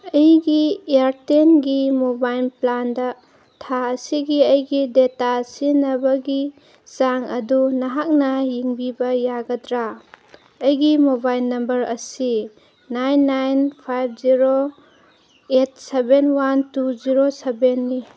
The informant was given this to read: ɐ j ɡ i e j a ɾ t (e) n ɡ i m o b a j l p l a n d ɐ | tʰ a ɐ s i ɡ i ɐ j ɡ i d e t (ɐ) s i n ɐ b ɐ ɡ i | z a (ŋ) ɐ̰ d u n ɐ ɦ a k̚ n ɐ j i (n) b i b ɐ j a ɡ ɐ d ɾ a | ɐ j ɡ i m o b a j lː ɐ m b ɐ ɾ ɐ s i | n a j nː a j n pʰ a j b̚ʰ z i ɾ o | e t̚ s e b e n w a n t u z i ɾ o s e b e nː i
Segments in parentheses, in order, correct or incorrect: correct, incorrect, correct, incorrect

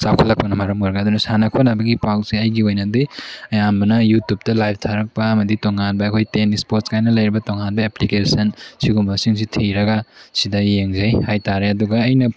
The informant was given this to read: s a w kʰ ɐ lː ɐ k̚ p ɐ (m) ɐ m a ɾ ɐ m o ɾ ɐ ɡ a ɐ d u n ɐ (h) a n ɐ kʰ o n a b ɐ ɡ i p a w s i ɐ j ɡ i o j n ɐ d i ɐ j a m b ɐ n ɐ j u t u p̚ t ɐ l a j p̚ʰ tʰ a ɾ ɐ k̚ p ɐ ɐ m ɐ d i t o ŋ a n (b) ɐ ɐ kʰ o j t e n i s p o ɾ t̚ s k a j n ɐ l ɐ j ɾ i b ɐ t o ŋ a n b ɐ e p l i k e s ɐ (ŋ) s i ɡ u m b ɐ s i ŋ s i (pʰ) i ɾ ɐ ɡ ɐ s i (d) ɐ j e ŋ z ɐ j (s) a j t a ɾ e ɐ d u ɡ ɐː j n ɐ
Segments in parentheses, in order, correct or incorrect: incorrect, incorrect, correct, incorrect, incorrect, correct, incorrect

